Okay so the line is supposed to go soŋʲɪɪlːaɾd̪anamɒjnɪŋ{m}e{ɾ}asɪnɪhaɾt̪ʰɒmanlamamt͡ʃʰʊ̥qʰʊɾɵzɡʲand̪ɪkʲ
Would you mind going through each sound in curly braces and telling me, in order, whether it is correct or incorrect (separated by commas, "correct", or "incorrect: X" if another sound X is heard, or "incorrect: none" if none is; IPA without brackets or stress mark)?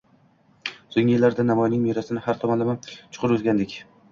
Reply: correct, correct